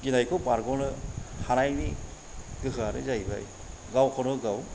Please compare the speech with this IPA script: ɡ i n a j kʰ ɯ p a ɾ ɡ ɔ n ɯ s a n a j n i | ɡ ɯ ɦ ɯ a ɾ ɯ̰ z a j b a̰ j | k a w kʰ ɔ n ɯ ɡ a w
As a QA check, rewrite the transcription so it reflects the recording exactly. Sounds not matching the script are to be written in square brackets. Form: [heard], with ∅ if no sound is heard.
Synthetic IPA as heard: ɡ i n a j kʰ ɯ p a ɾ ɡ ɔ n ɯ [h] a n a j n i | ɡ ɯ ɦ ɯ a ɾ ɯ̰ z a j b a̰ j | [ɡ] a w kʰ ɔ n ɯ ɡ a w